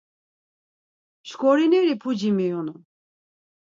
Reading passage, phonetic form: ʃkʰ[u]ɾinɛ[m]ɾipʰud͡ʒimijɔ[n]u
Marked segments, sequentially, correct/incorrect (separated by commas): incorrect, incorrect, correct